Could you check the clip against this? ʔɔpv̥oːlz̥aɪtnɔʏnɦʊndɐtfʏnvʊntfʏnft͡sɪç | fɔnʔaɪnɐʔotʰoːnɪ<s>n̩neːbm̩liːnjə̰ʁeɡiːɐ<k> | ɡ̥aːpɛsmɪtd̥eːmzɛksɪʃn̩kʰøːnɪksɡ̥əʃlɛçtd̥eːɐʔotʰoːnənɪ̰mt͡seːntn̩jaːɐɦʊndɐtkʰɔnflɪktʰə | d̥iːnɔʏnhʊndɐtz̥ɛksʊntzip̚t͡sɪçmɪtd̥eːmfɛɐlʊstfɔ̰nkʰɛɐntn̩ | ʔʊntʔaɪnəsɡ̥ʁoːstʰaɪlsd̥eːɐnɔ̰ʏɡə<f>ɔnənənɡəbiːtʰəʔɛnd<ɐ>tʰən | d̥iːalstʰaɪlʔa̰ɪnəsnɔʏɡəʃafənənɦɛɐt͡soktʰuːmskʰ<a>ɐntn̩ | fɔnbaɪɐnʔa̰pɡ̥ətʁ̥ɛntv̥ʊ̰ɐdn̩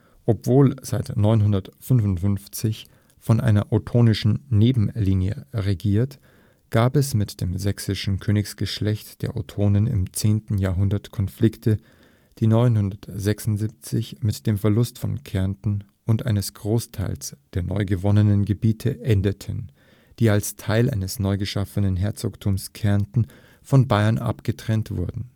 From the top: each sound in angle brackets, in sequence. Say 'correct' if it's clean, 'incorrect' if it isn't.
incorrect, incorrect, incorrect, incorrect, incorrect

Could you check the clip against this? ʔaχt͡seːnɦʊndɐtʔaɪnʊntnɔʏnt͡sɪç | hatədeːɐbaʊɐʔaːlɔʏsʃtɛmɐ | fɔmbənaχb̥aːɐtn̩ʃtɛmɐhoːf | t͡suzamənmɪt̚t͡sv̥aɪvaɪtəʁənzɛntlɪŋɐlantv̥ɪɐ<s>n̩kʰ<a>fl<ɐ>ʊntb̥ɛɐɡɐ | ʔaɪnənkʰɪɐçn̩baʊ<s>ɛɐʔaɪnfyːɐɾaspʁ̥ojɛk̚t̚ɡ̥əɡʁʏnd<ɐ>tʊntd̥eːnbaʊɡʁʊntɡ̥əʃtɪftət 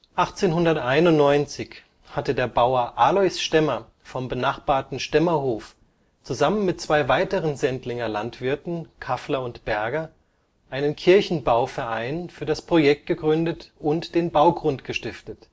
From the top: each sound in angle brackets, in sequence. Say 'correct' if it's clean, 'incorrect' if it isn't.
incorrect, correct, correct, incorrect, incorrect

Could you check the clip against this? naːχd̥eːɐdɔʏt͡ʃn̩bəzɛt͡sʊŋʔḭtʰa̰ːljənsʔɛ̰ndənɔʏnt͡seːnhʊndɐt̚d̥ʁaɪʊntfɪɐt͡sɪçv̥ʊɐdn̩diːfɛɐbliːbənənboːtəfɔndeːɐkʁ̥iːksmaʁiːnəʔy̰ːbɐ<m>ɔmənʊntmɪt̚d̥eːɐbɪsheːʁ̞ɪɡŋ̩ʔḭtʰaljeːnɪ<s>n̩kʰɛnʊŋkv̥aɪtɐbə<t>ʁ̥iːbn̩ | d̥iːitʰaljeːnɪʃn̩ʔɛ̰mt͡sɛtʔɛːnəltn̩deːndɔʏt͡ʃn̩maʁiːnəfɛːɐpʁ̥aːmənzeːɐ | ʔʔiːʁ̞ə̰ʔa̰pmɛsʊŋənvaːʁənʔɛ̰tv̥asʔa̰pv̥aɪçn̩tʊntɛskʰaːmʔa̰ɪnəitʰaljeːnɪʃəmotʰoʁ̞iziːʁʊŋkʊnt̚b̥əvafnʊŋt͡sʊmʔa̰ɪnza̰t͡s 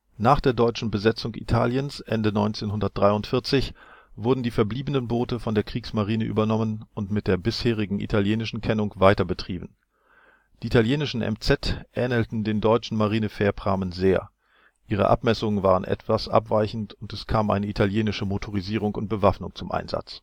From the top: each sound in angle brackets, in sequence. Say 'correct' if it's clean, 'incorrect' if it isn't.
incorrect, incorrect, correct

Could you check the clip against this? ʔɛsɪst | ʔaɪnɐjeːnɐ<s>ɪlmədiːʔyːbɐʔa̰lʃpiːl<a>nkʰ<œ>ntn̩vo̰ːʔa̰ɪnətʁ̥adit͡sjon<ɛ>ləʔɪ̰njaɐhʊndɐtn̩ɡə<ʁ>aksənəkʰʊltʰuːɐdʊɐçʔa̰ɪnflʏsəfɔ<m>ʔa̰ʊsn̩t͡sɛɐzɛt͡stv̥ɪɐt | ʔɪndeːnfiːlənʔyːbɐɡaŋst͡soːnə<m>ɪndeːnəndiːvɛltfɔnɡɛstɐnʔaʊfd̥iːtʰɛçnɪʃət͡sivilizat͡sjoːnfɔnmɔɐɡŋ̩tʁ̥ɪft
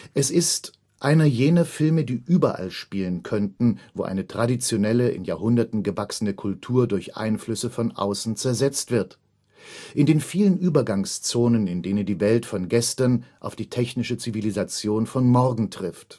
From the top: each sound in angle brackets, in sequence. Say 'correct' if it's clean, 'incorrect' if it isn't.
incorrect, incorrect, correct, correct, incorrect, incorrect, incorrect

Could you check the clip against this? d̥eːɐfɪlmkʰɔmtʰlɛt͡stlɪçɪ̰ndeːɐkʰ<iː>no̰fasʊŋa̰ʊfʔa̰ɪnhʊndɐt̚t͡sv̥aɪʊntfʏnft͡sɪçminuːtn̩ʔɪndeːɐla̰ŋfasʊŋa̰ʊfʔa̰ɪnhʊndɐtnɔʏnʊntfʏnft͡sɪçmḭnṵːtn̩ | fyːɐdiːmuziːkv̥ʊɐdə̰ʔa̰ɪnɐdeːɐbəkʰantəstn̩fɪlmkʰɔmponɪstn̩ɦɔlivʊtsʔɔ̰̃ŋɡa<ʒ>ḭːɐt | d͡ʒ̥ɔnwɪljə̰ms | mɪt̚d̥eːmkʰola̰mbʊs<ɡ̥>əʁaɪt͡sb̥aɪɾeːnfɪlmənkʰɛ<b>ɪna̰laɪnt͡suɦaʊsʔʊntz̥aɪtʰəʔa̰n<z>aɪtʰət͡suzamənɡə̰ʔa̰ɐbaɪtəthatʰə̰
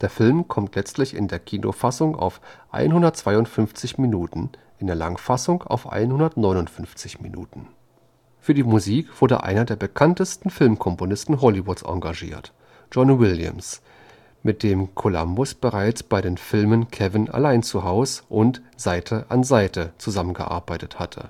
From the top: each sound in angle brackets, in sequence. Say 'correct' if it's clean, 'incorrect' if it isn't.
correct, correct, incorrect, incorrect, correct

